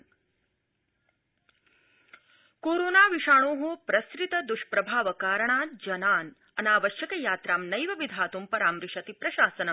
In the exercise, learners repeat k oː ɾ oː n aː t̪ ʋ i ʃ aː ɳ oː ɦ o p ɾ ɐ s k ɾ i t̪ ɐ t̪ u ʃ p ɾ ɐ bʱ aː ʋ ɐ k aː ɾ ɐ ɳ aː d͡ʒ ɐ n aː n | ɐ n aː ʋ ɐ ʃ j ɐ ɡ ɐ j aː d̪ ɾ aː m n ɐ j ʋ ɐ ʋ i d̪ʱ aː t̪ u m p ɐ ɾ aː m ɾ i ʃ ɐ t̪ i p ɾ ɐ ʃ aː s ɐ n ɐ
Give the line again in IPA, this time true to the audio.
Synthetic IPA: k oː ɾ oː n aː ʋ i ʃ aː ɳ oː ɦ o p ɾ ɐ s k ɾ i t̪ ɐ d̪ u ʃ p ɾ ɐ bʱ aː ʋ ɐ k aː ɾ ɐ ɳ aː d͡ʒ ɐ n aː n | ɐ n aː ʋ ɐ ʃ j ɐ k ɐ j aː t̪ ɾ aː m n ɐ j ʋ ɐ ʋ i d̪ʱ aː t̪ u m p ɐ ɾ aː m ɾ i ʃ ɐ t̪ i p ɾ ɐ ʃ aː s ɐ n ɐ